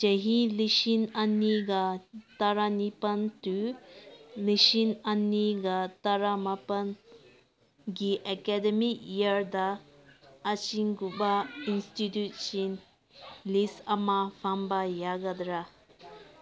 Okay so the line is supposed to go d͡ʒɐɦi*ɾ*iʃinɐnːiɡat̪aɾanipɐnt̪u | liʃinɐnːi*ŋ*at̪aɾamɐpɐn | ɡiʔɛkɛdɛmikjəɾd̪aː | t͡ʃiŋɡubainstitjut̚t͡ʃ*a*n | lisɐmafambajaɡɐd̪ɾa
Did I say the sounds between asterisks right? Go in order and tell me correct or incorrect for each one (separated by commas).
incorrect, incorrect, incorrect